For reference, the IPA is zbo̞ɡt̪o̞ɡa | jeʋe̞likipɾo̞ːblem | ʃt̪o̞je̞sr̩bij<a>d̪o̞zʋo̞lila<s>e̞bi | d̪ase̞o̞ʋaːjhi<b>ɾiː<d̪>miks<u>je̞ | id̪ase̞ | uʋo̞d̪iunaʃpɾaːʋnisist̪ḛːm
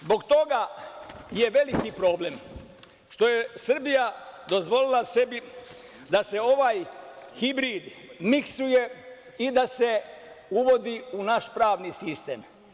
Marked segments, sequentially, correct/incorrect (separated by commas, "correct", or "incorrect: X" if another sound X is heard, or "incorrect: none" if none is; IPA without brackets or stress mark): correct, correct, correct, correct, correct